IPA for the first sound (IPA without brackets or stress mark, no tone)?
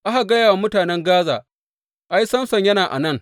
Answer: ʔ